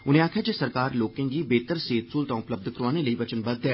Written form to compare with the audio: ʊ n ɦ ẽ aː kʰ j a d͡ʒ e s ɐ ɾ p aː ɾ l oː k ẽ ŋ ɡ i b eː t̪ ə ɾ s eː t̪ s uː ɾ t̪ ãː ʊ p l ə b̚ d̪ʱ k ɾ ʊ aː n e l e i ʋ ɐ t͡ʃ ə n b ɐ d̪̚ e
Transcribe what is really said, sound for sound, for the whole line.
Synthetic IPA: ʊ n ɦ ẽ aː kʰ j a d͡ʒ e s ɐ ɾ k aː ɾ l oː k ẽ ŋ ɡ i b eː t̪ ə ɾ s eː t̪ s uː l t̪ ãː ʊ p l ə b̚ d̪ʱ k ɾ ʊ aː n e l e i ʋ ɐ t͡ʃ ə n b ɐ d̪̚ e

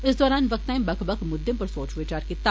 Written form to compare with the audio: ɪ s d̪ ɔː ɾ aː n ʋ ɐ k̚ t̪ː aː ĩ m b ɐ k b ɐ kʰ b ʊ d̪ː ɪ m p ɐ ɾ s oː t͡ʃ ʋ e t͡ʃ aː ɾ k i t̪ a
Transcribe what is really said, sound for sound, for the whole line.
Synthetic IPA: ɪ s d̪ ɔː ɾ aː n ʋ ɐ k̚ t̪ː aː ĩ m b ɐ k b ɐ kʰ m ʊ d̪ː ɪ m p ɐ ɾ s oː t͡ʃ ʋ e t͡ʃ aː ɾ k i t̪ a

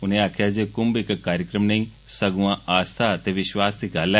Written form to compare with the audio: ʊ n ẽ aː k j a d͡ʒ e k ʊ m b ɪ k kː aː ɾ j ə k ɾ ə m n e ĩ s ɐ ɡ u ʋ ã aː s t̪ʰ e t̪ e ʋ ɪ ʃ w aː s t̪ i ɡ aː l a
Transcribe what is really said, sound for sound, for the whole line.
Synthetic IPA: ʊ n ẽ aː kʰ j a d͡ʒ e k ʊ m b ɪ k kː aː ɾ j ə k ɾ ə m n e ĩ s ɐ ɡ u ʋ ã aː s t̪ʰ a t̪ e ʋ ɪ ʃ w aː s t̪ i ɡ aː l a

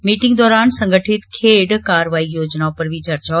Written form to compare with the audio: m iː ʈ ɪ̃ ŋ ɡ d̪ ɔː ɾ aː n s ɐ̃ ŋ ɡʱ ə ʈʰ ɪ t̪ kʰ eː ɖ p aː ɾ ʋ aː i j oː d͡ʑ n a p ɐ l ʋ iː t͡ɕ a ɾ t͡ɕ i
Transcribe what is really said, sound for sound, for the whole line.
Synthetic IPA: m iː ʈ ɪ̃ ŋ ɡ d̪ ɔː ɾ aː n s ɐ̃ ŋ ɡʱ ə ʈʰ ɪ t̪ kʰ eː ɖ k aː ɾ ʋ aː i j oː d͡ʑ n a p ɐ ɾ ʋ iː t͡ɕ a ɾ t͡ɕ a

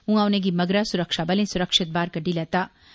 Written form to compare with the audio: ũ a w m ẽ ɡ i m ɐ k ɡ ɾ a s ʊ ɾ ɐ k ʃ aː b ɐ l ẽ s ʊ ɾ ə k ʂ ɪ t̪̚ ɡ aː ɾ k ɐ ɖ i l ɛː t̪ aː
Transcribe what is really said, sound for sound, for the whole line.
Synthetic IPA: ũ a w n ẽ ɡ i m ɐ ɡ ɾ a s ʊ ɾ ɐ k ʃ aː b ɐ l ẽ s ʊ ɾ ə k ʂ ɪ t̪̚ b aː ɾ k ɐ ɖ i l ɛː t̪ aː

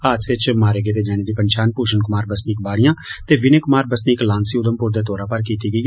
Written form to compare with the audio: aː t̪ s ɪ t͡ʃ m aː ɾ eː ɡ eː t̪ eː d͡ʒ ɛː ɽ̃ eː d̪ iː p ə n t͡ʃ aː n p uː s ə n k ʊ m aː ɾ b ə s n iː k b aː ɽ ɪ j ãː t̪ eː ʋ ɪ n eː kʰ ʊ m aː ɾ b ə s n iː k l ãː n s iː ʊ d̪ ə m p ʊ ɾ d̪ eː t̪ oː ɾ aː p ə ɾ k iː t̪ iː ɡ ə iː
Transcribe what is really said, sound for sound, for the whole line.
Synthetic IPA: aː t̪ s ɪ t͡ʃ m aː ɾ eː ɡ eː t̪ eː d͡ʒ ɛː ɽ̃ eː d̪ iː p ə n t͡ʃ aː n p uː ʃ ə n k ʊ m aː ɾ b ə s n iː k b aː ɽ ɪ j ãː t̪ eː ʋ ɪ n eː k ʊ m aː ɾ b ə s n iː k l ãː n s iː ʊ d̪ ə m p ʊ ɾ d̪ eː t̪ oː ɾ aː p ə ɾ k iː t̪ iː ɡ ə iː

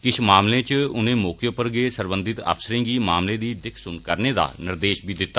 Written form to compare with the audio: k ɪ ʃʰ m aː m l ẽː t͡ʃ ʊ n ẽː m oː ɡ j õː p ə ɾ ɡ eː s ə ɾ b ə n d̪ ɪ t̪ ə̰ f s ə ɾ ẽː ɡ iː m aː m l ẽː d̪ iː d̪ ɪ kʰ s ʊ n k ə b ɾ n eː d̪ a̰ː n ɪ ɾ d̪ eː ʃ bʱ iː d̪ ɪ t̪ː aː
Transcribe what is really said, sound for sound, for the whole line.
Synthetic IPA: k ɪ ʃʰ m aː m l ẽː t͡ʃ ʊ n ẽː m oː k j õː p ə ɾ ɡ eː s ə ɾ b ə n d̪ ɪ t̪ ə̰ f s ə ɾ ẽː ɡ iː m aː m l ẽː d̪ iː d̪ ɪ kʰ s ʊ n k ə ɾ n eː d̪ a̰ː n ɪ ɾ d̪ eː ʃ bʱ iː d̪ ɪ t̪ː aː

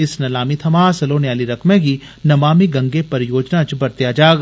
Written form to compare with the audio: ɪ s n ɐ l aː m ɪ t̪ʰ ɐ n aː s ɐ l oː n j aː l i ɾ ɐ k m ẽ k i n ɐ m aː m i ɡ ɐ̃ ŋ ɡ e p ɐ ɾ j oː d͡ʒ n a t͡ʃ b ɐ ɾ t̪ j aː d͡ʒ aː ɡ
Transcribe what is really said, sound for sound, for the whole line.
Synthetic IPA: ɪ s n ɐ l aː m i t̪ʰ ɐ m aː s ɐ l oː n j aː l i ɾ ɐ k m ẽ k i n ɐ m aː m i ɡ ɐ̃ ŋ ɡ e p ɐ ɾ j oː d͡ʒ n a t͡ʃ b ɐ ɾ t̪ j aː d͡ʒ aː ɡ

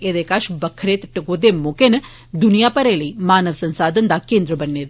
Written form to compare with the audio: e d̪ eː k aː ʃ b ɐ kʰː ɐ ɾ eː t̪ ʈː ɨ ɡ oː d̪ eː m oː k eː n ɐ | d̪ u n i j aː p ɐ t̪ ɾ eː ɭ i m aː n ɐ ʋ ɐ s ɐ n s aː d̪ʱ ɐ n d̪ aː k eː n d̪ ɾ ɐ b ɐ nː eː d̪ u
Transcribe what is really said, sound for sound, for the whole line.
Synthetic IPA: e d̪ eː k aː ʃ b ɐ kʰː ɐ ɾ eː t̪ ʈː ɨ ɡ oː d̪ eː m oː k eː n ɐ | d̪ u n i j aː p ɐ ɾ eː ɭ i m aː n ɐ ʋ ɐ s ɐ n s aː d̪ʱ ɐ n d̪ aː k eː n d̪ ɾ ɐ b ɐ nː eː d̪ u

